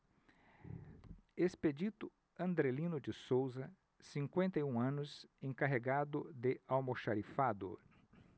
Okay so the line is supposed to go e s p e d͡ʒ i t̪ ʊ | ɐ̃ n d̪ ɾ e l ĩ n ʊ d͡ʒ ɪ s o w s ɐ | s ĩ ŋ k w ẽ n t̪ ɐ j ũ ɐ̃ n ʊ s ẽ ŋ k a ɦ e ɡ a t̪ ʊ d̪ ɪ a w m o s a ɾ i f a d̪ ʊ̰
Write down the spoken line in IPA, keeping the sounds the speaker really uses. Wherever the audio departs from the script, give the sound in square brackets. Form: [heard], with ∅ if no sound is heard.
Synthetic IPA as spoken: e s p e d͡ʒ i t̪ ʊ | ɐ̃ n d̪ ɾ e l ĩ n ʊ d͡ʒ ɪ s o w [z] ɐ | s ĩ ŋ k w ẽ n t̪ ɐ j ũ ɐ̃ n ʊ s ẽ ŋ k a ɦ e ɡ a [d̪] ʊ d̪ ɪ a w m o [ʃ] a ɾ i f a d̪ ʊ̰